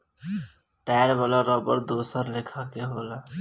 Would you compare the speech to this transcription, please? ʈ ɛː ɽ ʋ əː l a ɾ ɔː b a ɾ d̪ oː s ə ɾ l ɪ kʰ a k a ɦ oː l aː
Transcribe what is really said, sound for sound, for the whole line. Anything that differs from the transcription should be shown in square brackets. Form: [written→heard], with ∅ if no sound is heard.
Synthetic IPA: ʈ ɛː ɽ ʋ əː l a ɾ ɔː b [a→ə] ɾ d̪ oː s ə ɾ l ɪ kʰ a k [a→e] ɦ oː l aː